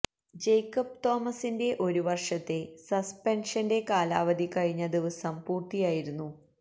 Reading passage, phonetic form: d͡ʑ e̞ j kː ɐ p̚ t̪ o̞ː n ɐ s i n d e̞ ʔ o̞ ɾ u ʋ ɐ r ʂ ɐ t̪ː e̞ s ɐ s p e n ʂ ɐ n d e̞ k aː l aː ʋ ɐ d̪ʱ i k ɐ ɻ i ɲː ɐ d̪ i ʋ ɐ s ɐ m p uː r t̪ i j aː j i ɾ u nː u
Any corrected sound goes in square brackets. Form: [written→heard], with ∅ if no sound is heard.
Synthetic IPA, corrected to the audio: d͡ʑ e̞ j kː ɐ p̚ t̪ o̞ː [n→m] ɐ s i n d e̞ ʔ o̞ ɾ u ʋ ɐ r ʂ ɐ t̪ː e̞ s ɐ s p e n ʂ ɐ n d e̞ k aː l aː ʋ ɐ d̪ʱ i k ɐ ɻ i ɲː ɐ d̪ i ʋ ɐ s ɐ m p uː r t̪ i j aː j i ɾ u nː u